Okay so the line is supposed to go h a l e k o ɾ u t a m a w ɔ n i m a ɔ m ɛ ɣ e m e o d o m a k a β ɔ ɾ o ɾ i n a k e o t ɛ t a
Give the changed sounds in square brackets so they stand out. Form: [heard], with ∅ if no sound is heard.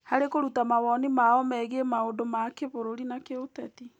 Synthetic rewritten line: h a [ɾ] e k o ɾ u t a m a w ɔ n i m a ɔ m ɛ ɣ e m [a] o d o m a k [e] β [o] ɾ o ɾ i n a k e o t ɛ t [i]

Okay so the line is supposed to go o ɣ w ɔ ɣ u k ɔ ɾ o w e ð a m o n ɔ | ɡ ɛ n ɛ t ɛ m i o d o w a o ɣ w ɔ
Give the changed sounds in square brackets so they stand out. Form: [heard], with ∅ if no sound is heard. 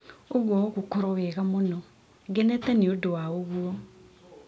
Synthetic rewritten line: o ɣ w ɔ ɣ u k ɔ ɾ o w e [ɣ] a m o n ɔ | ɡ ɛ n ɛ t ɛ [n] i o d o w a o ɣ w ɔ

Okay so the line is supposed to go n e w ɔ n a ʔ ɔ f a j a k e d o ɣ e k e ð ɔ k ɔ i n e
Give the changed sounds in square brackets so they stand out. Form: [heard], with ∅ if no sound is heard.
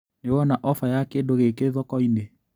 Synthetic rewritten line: n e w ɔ n a ʔ ɔ f a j a k e d o ɣ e k e ð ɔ k ɔ i n e

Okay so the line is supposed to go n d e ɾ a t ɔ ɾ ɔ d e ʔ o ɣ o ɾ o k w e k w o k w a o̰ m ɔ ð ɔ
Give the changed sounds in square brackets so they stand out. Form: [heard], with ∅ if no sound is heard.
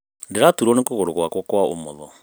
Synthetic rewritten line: n d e ɾ a t [u] ɾ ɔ [n] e [k] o ɣ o ɾ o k w [a] k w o k w a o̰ m ɔ ð ɔ

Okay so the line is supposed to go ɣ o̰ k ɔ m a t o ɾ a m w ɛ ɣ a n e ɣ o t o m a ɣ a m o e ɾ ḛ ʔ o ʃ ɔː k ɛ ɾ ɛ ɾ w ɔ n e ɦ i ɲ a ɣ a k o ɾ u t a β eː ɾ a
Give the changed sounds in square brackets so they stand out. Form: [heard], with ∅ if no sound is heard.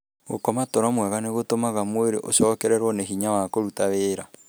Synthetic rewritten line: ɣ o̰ k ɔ m a t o ɾ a m w ɛ ɣ a n e ɣ o t o m a ɣ a m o e ɾ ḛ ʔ o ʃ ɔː k ɛ ɾ ɛ ɾ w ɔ n e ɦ i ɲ a [w] a k o ɾ u t a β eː ɾ a

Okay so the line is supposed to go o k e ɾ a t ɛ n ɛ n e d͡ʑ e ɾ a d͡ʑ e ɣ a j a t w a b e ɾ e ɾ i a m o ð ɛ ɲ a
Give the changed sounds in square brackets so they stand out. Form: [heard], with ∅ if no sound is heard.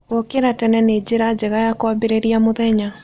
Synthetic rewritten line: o k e ɾ a t ɛ n ɛ n e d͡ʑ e ɾ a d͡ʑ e ɣ a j a [k] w a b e ɾ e ɾ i a m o ð ɛ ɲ a

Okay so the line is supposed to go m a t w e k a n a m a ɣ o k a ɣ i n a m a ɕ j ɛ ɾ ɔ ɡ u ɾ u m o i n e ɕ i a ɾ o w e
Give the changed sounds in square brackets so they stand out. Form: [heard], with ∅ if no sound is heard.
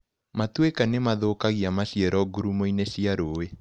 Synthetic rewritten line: m a t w e k a n [e] m a [ð] o k a ɣ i [∅] a m a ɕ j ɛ ɾ ɔ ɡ u ɾ u m o i n e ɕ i a ɾ o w e

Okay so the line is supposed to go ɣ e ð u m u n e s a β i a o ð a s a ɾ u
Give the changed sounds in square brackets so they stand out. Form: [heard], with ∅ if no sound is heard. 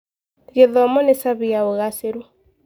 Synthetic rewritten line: ɣ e ð [ɔ] m [ɔ] n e s a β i a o [ɣ] a s [e] ɾ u

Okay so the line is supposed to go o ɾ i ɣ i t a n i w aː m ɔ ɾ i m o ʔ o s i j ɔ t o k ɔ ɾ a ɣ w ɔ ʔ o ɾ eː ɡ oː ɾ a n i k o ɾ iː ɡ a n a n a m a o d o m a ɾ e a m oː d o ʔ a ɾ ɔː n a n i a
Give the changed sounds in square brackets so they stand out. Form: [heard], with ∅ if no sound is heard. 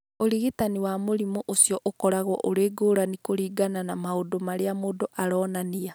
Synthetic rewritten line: o ɾ i ɣ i t a n i w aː m [o] ɾ i m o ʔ o s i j ɔ [ʔ] o k ɔ ɾ a ɣ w ɔ ʔ o ɾ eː ɡ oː ɾ a n i k o ɾ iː ɡ a n a n a m a o d o m a ɾ e a m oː d o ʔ a ɾ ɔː n a n i a

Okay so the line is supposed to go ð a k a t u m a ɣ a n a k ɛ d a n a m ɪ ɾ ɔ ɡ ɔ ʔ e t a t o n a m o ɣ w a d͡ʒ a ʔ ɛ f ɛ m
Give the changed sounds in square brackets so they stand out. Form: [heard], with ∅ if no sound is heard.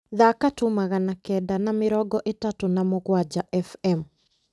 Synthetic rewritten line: ð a k a t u m a ɣ a n a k ɛ d a n a m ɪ ɾ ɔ ɡ ɔ ʔ e t a t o n a m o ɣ w a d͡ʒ a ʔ ɛ f ɛ m

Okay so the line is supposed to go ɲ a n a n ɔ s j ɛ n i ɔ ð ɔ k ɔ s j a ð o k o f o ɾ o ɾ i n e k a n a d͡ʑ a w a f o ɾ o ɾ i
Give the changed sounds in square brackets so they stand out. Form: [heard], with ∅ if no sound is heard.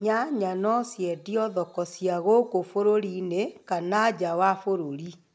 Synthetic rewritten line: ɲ a [ɲ] a n ɔ s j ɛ [d] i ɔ ð ɔ k ɔ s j a [ɣ] o k o f o ɾ o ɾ i n e k a n a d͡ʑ a w a f o ɾ o ɾ i

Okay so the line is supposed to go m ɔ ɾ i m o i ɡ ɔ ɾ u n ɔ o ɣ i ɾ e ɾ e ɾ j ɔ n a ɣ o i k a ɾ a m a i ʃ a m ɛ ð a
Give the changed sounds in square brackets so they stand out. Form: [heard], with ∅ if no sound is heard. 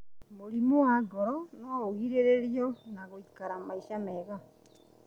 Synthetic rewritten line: m [o] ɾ i m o [a] ɡ ɔ ɾ [ɔ] n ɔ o ɣ i ɾ e ɾ e ɾ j ɔ n a ɣ o i k a ɾ a m a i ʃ a m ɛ [ɣ] a

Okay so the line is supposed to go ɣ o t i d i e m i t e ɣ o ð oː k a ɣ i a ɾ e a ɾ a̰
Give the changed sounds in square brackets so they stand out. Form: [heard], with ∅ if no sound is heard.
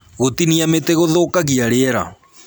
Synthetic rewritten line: ɣ o t i [n] i [a] m [e] t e ɣ o ð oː k a ɣ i a ɾ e [ɛ] ɾ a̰

